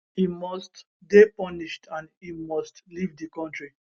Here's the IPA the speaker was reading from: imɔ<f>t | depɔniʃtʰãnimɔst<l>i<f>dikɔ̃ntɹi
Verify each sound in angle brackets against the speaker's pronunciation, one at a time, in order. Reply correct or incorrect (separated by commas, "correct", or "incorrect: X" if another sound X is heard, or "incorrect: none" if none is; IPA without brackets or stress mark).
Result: incorrect: s, correct, incorrect: v